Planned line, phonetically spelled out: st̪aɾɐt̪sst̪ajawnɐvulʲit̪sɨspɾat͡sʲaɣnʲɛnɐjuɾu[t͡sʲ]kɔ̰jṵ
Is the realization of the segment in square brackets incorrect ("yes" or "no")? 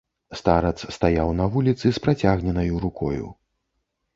yes